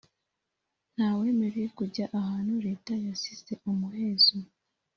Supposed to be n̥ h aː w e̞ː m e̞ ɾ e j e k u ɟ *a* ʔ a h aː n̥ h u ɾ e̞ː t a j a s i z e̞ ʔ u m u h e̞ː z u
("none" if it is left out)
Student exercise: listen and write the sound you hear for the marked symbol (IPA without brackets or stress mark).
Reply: a